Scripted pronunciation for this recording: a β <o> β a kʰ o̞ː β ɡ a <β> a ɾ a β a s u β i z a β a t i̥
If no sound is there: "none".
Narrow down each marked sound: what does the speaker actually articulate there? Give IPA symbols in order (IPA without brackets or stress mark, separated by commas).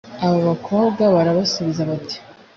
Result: o, β